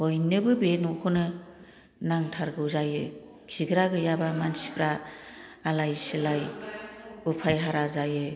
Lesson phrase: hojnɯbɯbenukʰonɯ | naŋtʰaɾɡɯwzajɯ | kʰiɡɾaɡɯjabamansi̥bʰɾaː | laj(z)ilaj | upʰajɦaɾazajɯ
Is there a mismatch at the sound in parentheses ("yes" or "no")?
yes